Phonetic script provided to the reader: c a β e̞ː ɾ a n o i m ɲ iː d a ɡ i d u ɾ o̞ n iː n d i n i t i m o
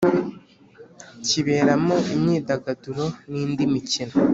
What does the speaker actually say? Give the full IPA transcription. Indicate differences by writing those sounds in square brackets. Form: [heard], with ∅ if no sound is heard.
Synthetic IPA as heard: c [i] β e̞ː ɾ a [m] o i m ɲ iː d a ɡ [a] d u ɾ o̞ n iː n d i [m] i [c] i [n] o